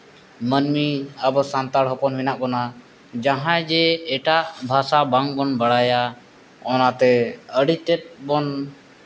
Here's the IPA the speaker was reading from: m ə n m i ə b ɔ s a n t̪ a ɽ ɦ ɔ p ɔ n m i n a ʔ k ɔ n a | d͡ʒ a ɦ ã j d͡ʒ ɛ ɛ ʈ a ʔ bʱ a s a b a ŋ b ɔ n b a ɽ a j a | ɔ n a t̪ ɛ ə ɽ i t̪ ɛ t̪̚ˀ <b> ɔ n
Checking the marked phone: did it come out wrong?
no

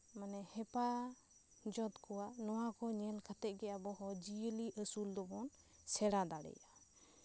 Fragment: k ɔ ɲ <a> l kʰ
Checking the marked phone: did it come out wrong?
yes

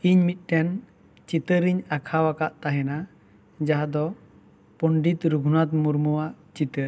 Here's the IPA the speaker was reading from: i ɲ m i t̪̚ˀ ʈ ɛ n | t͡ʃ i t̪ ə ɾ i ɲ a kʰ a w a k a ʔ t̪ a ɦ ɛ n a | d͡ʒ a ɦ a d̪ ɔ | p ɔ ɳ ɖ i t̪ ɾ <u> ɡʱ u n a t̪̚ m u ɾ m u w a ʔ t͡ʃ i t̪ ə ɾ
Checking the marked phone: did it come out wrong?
no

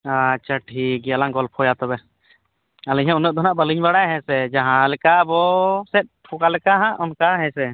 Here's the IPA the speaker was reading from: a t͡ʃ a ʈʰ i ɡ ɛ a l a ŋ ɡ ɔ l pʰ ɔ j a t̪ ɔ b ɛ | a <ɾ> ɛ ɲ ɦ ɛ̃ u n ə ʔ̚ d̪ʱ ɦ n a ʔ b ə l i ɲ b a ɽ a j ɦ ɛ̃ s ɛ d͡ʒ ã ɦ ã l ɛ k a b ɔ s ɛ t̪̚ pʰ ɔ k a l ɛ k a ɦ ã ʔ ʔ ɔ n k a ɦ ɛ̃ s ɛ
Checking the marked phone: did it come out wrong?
yes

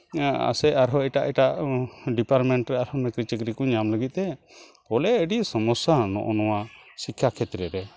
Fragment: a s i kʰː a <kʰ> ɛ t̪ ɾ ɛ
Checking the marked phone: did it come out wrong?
no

